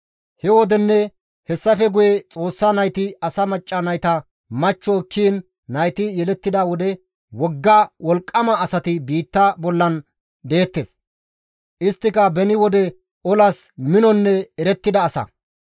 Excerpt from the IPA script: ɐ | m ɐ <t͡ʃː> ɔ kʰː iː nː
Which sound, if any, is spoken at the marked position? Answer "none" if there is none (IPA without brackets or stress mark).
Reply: t͡ʃː